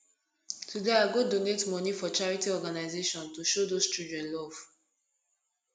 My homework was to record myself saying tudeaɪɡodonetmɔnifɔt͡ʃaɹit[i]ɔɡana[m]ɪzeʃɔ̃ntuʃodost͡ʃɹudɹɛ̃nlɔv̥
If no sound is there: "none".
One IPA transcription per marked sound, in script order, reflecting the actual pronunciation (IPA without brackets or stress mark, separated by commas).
i, none